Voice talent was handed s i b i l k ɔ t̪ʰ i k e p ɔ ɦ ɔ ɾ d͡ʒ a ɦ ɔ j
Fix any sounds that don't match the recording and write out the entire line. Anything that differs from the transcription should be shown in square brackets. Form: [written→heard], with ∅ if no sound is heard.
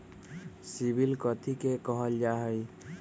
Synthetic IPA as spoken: s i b i l k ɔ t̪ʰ i k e [p→k] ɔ ɦ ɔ [ɾ→l] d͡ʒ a ɦ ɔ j